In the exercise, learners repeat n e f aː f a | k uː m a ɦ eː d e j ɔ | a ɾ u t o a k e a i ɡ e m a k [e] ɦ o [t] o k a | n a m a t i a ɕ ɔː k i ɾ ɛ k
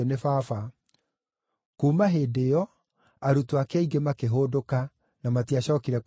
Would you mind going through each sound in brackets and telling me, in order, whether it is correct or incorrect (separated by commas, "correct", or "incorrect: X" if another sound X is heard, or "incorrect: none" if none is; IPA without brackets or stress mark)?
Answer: correct, incorrect: d